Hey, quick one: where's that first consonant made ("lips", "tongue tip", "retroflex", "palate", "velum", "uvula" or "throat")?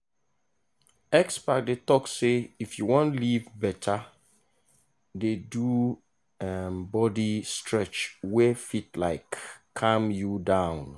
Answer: velum